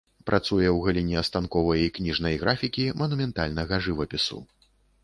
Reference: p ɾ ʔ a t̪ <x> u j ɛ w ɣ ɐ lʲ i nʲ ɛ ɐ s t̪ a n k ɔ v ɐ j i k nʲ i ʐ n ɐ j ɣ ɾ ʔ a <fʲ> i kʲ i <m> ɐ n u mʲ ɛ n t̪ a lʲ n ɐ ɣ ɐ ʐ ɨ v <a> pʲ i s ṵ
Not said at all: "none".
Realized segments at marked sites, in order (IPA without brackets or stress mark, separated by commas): s, fʲ, m, ɐ